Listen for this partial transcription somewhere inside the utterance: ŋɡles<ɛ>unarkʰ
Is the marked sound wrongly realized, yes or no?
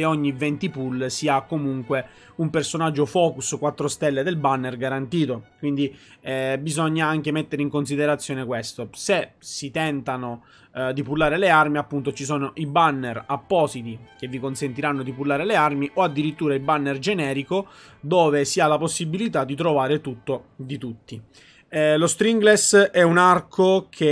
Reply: no